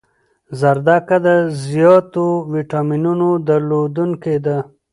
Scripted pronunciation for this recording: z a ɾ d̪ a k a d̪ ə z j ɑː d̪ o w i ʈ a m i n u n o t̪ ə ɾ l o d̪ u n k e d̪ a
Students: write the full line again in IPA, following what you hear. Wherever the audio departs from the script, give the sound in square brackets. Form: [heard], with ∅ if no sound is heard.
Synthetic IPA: z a ɾ d̪ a k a d̪ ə z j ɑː [t̪] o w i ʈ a m i n u n o [d̪] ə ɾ l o d̪ u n k e d̪ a